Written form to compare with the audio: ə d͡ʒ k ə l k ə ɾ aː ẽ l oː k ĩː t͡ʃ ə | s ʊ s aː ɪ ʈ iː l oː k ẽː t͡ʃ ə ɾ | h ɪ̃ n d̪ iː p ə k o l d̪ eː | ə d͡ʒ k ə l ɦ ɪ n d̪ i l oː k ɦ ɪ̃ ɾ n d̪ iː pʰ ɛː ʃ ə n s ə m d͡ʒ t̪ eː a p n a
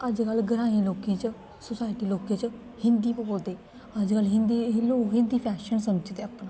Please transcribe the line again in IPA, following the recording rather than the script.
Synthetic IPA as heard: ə d͡ʒ k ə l ɡ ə ɾ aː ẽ l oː k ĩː t͡ʃ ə | s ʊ s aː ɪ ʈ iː l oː k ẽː t͡ʃ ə | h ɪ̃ n d̪ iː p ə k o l d̪ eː | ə d͡ʒ k ə l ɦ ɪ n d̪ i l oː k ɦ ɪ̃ n d̪ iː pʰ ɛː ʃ ə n s ə m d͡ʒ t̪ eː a p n a